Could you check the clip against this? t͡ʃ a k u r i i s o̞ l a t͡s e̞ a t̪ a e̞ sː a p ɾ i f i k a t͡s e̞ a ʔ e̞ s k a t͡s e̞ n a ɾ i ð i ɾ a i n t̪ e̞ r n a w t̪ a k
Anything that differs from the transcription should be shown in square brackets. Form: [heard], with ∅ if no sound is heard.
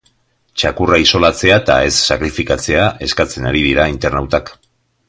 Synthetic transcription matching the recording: t͡ʃ a k u r [a] i s o̞ l a t͡s e̞ a t̪ a e̞ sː a [k] ɾ i f i k a t͡s e̞ a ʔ e̞ s k a t͡s e̞ n a ɾ i ð i ɾ a i n t̪ e̞ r n a w t̪ a k